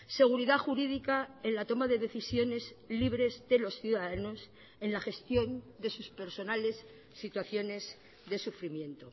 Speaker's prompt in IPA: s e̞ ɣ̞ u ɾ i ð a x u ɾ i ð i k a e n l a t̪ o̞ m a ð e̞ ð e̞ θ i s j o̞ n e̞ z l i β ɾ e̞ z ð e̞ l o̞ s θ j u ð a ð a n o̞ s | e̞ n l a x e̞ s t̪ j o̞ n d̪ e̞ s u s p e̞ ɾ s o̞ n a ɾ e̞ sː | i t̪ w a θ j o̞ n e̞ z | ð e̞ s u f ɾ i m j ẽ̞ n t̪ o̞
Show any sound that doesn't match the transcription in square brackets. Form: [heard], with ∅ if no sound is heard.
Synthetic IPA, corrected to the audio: s e̞ ɣ̞ u ɾ i ð a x u ɾ i ð i k a e n l a t̪ o̞ m a ð e̞ ð e̞ θ i s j o̞ n e̞ z l i β ɾ e̞ z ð e̞ l o̞ s θ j u ð a ð a n o̞ s | e̞ n l a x e̞ s t̪ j o̞ n d̪ e̞ s u s p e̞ ɾ s o̞ n a [l] e̞ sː | i t̪ w a θ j o̞ n e̞ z | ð e̞ s u f ɾ i m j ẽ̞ n t̪ o̞

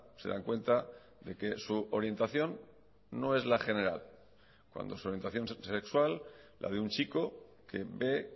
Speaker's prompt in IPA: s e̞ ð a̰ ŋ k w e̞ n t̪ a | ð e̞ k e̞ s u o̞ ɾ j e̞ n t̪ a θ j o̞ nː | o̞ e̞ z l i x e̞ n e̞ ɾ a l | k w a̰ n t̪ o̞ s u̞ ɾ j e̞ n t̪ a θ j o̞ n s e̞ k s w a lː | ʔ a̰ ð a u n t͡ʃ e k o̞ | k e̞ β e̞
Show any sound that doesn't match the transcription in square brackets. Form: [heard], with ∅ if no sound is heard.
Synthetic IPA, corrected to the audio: s e̞ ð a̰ ŋ k w e̞ n t̪ a | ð e̞ k e̞ s u o̞ ɾ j e̞ n t̪ a θ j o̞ nː | o̞ e̞ z l [a] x e̞ n e̞ ɾ a l | k w a̰ n [d̪] o̞ s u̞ ɾ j e̞ n t̪ a θ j o̞ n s e̞ k s w a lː | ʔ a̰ ð [e] u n t͡ʃ [i] k o̞ | k e̞ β e̞

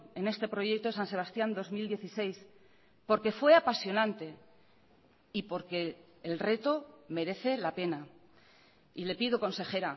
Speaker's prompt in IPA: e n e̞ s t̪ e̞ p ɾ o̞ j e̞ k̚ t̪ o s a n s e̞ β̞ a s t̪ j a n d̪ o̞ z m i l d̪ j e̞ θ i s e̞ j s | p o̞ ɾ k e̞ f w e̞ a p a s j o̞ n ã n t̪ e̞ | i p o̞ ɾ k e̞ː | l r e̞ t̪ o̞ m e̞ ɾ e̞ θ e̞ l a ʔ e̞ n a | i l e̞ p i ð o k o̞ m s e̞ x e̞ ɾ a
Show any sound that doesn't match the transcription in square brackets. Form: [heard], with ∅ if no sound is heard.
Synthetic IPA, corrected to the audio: e n e̞ s t̪ e̞ p ɾ o̞ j e̞ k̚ t̪ o s a n s e̞ β̞ a s t̪ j a n d̪ o̞ z m i l d̪ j e̞ θ i s e̞ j s | p o̞ ɾ k e̞ f w e̞ a p a s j o̞ n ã n t̪ e̞ | i p o̞ ɾ k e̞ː | l r e̞ t̪ o̞ m e̞ ɾ e̞ θ e̞ l a [p] e̞ n a | i l e̞ p i ð o k o̞ [n] s e̞ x e̞ ɾ a

